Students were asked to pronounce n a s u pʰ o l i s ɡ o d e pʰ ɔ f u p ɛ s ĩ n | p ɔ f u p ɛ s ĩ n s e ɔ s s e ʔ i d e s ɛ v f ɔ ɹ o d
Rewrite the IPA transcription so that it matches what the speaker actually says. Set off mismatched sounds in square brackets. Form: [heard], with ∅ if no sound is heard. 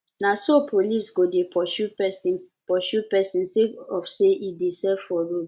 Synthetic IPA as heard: n a s [o] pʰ o l i s ɡ o d e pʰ ɔ [ʃ] u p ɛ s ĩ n | p ɔ [ʃ] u p ɛ s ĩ n s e ɔ [f] s e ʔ i d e s ɛ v f ɔ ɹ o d